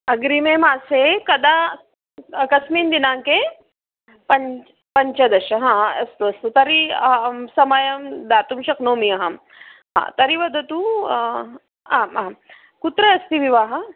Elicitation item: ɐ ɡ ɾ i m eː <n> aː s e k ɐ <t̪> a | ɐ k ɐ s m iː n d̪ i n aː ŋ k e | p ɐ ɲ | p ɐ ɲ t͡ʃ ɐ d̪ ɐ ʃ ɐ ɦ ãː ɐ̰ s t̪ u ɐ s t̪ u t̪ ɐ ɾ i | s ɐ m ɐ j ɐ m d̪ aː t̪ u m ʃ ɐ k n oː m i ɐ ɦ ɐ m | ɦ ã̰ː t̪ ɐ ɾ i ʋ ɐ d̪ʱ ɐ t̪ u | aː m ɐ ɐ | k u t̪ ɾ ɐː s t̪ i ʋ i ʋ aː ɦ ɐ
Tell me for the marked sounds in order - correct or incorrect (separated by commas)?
incorrect, incorrect